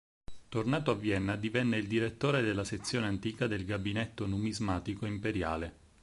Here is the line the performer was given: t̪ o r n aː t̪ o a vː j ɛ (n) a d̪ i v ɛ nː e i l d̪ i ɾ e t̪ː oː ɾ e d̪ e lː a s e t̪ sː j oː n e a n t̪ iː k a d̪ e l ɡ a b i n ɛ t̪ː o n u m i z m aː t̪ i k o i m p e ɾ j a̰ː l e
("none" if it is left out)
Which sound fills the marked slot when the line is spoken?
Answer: nː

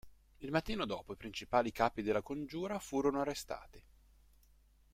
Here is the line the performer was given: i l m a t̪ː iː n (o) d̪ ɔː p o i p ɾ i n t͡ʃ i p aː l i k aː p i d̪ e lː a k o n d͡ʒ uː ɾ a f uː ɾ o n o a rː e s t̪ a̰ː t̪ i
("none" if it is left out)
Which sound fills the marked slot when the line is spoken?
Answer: o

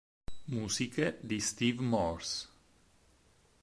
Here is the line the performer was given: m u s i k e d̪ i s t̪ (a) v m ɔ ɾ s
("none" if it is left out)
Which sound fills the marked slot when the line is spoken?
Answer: i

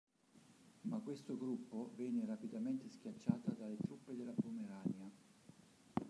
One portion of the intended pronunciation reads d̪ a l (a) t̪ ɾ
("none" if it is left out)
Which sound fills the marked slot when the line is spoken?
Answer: e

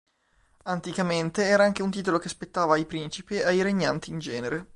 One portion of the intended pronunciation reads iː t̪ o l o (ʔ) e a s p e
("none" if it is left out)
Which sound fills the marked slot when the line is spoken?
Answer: k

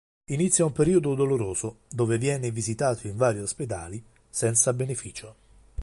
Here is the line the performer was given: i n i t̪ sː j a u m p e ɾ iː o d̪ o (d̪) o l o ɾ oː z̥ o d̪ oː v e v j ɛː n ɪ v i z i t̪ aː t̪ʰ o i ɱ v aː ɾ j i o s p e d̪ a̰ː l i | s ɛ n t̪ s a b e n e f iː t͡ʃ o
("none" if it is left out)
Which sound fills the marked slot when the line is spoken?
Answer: d̪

